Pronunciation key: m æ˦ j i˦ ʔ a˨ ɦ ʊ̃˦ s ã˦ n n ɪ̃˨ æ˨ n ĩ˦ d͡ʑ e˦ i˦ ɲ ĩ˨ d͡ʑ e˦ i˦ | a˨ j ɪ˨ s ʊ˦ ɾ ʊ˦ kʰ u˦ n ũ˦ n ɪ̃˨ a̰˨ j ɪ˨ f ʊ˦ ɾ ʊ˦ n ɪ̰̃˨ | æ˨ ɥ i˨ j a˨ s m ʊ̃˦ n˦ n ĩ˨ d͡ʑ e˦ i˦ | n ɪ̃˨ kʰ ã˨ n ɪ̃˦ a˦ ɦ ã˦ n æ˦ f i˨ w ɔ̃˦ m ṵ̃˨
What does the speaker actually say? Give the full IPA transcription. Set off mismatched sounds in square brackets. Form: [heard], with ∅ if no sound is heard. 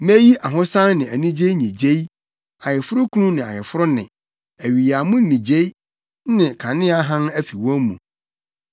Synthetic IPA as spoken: m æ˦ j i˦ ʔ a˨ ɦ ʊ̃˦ s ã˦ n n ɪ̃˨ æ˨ n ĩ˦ d͡ʑ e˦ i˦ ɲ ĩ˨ d͡ʑ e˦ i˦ | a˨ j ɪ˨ [f] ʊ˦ ɾ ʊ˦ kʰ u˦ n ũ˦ n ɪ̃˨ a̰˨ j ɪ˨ f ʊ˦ ɾ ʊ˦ n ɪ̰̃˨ | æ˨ ɥ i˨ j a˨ [∅] m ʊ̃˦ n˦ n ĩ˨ d͡ʑ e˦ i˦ | n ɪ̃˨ kʰ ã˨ n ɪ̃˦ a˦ ɦ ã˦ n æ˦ f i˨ w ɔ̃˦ m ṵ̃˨